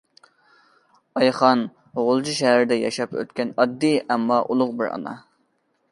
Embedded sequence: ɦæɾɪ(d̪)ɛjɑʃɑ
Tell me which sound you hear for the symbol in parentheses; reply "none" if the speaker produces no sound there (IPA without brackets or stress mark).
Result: d̪